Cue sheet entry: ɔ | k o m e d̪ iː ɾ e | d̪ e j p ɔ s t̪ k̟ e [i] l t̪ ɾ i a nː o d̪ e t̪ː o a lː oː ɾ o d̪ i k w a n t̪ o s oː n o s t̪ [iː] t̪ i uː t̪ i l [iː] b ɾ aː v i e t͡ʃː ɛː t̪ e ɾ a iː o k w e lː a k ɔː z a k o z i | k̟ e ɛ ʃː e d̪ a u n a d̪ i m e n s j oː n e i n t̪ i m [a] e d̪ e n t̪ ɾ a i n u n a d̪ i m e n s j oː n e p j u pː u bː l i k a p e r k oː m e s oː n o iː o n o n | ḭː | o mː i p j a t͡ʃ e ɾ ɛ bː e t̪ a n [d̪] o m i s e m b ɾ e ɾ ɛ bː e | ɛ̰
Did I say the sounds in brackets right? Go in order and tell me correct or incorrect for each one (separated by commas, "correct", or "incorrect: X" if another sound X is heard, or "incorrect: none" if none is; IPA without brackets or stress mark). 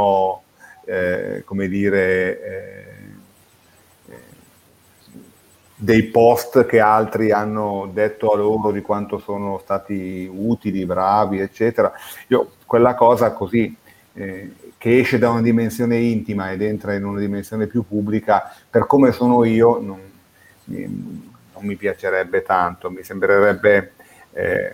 incorrect: a, incorrect: aː, incorrect: i, correct, incorrect: t̪